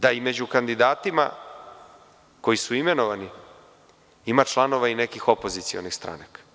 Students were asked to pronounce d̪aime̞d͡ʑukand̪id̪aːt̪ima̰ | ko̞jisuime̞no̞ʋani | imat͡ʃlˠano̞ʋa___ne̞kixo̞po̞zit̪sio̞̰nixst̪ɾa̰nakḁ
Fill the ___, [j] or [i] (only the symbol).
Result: i